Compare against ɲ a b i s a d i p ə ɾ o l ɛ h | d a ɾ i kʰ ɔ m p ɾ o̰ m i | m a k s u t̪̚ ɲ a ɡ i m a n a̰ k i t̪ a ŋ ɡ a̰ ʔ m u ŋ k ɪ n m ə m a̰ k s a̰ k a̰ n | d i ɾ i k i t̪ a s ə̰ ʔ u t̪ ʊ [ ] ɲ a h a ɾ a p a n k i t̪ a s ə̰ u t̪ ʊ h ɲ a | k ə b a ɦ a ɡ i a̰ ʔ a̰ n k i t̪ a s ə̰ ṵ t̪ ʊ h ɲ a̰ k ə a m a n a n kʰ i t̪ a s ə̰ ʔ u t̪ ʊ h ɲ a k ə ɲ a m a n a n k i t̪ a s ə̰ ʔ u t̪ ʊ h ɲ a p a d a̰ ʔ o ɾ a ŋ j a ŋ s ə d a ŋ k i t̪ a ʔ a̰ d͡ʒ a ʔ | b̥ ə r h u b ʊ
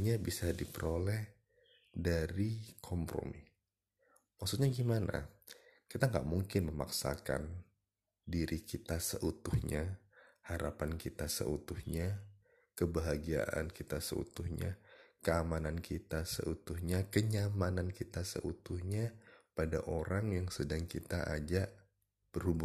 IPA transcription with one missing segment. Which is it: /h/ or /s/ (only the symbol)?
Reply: h